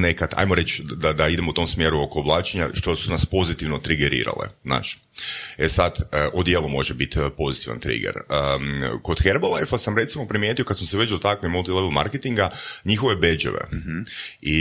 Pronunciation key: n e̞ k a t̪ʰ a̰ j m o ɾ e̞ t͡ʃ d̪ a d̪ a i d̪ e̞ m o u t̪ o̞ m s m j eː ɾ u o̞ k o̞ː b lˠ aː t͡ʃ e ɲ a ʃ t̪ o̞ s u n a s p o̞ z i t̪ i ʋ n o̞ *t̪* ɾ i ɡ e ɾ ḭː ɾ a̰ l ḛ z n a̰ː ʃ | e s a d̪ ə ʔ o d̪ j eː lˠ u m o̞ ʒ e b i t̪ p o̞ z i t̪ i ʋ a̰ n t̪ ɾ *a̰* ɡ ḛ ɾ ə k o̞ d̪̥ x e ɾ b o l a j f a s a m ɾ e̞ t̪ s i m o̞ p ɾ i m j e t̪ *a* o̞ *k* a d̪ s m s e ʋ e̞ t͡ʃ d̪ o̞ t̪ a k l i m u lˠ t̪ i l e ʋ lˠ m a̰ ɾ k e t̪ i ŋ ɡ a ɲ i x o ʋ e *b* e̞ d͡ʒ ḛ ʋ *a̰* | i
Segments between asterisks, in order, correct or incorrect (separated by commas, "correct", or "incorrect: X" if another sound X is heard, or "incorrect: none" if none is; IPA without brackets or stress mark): correct, incorrect: ḭ, incorrect: i, correct, correct, incorrect: ḛ